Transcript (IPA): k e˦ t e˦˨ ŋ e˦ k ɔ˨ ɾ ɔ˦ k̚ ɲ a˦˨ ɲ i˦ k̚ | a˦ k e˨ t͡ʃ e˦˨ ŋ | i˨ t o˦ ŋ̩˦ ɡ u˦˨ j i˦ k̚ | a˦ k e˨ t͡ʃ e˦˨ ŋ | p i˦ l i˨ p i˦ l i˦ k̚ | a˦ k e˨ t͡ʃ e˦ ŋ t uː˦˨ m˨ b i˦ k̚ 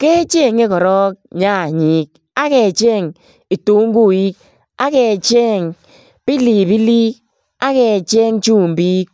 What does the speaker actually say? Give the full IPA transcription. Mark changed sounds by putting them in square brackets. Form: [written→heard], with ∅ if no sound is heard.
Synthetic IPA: k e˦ [t→t͡ʃ] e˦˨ ŋ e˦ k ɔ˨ ɾ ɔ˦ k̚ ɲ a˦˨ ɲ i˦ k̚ | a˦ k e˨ t͡ʃ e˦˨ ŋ | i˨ t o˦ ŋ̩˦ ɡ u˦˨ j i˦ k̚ | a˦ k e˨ t͡ʃ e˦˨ ŋ | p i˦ l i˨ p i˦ l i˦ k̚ | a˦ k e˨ t͡ʃ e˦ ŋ [t→t͡ʃ] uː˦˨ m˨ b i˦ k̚

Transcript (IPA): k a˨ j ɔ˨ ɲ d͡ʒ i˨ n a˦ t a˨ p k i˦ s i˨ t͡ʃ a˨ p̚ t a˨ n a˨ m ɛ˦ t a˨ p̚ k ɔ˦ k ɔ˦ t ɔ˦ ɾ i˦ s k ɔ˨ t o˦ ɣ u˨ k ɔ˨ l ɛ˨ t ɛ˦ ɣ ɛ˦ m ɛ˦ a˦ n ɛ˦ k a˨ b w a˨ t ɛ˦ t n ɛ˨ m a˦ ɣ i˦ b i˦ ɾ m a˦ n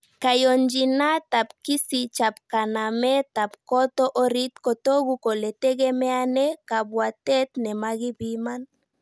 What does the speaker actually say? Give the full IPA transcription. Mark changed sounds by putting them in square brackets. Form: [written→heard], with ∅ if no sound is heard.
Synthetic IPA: k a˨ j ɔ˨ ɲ d͡ʒ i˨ n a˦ t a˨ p k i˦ s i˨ t͡ʃ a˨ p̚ [t→k] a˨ n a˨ m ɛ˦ t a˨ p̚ k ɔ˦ [k→t] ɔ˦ [t→ʔ] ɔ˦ ɾ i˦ [s→t] k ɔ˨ t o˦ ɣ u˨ k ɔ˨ l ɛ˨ t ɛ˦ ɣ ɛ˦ m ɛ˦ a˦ n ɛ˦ k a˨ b w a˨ t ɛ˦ t n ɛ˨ m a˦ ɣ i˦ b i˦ [ɾ→∅] m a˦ n

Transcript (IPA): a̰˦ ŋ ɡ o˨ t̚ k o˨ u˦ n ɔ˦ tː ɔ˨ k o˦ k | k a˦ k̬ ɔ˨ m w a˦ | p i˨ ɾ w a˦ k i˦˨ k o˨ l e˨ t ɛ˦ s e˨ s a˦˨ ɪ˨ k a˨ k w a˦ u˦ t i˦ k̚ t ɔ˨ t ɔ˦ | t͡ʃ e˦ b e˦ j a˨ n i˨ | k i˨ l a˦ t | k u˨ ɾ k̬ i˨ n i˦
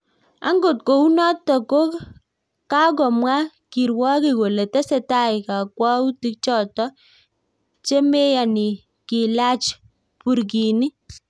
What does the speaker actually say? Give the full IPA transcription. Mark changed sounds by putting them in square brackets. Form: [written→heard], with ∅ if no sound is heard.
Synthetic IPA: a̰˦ ŋ ɡ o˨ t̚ k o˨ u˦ n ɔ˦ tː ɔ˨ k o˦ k | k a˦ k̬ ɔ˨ m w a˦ | [p→k] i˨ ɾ w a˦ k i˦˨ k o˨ l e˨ t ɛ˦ s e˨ [s→t] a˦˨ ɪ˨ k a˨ k w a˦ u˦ t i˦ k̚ [t→t͡ʃ] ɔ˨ t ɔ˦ | t͡ʃ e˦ [b→m] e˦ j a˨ n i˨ | k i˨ l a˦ [t→t͡ʃ] | [k→p] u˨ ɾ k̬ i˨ n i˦

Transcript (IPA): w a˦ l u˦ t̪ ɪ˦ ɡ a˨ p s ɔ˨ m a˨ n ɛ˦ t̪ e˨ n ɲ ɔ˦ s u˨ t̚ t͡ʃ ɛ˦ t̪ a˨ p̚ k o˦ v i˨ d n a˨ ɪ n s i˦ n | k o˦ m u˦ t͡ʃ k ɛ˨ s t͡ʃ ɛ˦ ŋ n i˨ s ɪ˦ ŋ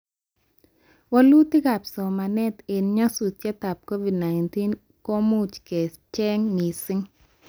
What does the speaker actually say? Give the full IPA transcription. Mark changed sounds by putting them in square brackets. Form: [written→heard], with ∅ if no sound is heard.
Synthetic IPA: w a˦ l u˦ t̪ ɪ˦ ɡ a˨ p s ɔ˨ m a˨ n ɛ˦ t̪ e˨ n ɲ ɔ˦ s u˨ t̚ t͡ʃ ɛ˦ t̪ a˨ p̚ k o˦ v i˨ d n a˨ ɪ n [s→t] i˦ n | k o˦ m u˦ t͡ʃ k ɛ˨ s t͡ʃ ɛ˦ ŋ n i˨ s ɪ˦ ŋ

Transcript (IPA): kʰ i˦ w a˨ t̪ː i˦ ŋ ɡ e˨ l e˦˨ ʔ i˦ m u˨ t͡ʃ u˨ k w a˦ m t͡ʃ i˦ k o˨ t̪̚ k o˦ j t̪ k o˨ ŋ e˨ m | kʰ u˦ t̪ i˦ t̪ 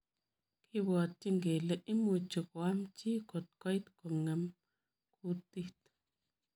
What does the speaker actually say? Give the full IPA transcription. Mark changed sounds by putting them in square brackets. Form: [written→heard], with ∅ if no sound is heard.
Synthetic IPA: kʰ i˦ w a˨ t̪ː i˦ ŋ ɡ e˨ l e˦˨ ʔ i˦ m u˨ t͡ʃ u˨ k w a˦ m t͡ʃ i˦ k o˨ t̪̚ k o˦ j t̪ k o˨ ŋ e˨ m | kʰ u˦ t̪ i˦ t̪

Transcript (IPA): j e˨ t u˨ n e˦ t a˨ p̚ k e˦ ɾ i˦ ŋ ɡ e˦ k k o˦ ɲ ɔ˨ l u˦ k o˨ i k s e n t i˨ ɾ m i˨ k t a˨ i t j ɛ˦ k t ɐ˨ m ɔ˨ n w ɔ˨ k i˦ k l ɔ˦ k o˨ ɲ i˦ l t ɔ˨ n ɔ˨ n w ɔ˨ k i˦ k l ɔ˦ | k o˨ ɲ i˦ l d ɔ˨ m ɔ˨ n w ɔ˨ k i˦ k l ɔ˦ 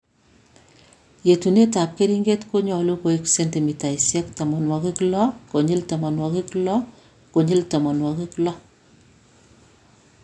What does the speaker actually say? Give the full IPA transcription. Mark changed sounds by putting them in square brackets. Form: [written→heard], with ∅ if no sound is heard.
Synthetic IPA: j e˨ t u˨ n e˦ t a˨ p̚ k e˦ ɾ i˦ ŋ ɡ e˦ [k→t] k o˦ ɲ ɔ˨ l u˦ k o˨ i k s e n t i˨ [ɾ→∅] m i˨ [k→∅] t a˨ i [t→s] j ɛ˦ k t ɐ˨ m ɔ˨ n w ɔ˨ k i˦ k l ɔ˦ k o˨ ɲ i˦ l t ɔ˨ [n→m] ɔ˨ n w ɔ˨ k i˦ k l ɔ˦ | k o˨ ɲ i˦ l [d→t] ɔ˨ m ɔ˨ n w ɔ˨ k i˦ k l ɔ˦

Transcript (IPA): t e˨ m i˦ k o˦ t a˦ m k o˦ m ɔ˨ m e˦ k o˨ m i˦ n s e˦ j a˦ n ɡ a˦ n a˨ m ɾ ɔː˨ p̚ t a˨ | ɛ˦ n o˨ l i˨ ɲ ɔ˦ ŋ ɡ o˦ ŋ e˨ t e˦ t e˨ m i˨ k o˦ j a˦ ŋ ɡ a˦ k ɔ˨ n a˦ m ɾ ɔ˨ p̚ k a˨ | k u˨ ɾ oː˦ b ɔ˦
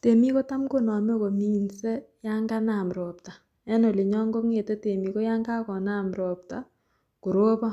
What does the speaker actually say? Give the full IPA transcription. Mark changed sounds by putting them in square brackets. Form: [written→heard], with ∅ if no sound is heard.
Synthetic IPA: t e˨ m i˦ k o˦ t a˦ m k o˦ [m→n] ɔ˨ m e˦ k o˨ m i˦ n s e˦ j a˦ [n→ŋ] ɡ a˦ n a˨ m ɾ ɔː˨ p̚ t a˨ | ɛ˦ n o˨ l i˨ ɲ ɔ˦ ŋ ɡ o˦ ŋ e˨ t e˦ t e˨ m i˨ k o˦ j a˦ ŋ ɡ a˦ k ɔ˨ n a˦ m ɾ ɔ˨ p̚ [k→t] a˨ | k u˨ ɾ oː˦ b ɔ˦

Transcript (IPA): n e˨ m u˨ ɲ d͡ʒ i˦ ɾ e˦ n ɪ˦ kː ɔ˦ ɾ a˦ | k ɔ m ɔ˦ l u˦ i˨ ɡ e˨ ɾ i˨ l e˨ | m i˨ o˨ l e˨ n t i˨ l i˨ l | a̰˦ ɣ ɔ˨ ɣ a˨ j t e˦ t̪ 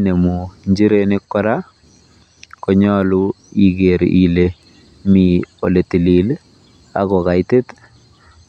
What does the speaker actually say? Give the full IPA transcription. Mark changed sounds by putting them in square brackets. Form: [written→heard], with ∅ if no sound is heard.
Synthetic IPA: n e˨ m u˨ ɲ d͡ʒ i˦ ɾ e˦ n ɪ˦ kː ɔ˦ ɾ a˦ | k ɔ [m→ɲ] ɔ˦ l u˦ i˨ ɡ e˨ ɾ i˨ l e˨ | m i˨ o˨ l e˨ [n→∅] t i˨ l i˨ l | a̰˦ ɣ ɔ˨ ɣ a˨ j t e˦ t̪

